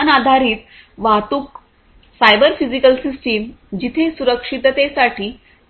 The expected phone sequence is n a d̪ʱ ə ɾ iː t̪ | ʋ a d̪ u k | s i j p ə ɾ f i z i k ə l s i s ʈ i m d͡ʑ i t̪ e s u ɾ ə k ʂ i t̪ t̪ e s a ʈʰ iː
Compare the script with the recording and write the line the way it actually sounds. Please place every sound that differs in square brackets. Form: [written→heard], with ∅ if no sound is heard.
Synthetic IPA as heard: n a d̪ʱ [ə→a] ɾ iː t̪ | ʋ a [d̪→t̪] u k | s [i→a] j [p→b] ə ɾ f i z i k ə l s i s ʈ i m d͡ʑ i [t̪→t̪ʰ] e s u ɾ ə k ʂ i t̪ t̪ e s a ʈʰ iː